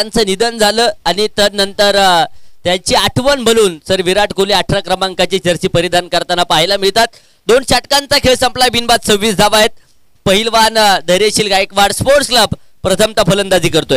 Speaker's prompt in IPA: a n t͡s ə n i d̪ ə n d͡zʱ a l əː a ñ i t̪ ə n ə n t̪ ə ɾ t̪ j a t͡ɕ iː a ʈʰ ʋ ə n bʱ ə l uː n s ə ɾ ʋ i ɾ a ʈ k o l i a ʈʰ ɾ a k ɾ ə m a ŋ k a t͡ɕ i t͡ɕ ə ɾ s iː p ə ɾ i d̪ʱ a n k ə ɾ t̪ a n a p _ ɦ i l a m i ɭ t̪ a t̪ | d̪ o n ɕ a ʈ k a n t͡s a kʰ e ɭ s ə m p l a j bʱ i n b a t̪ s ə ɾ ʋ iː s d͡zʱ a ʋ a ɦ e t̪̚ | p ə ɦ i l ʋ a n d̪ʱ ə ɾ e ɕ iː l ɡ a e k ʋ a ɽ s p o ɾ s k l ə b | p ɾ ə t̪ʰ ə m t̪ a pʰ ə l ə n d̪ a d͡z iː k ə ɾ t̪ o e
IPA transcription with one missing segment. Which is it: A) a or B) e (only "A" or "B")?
A